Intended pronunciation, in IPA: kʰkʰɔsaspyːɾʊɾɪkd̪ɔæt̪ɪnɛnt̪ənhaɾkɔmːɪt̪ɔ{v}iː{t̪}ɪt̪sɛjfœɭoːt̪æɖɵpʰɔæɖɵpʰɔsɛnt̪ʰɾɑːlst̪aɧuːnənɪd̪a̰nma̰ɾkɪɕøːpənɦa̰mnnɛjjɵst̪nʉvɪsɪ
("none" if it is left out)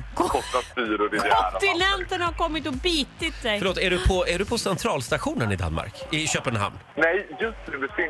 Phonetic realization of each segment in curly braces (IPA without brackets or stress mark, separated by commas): b, t̪